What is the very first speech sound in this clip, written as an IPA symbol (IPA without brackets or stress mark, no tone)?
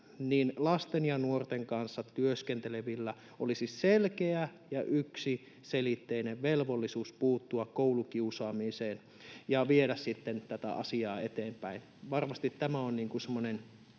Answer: n